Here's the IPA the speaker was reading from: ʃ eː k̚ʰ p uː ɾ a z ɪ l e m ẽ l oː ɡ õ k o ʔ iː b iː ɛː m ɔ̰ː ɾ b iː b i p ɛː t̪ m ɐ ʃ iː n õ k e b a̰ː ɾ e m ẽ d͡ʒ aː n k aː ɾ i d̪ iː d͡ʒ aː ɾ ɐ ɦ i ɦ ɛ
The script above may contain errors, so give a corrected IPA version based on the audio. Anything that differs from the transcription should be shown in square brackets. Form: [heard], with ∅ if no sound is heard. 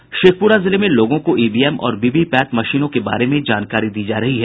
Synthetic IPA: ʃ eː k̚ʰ p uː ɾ a z ɪ l e m ẽ l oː ɡ õ k o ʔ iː b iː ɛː m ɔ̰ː ɾ b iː b i p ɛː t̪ m ɐ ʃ iː n õ k e b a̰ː ɾ e m ẽ d͡ʒ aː n k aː ɾ i d̪ iː d͡ʒ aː ɾ ɐ ɦ i ɦ ɛ